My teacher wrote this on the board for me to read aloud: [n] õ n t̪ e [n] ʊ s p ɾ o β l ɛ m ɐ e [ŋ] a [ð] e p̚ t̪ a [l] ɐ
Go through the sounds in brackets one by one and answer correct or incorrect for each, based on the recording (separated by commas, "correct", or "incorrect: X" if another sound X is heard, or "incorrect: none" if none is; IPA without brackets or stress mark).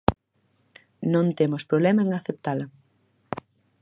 correct, incorrect: m, correct, incorrect: θ, correct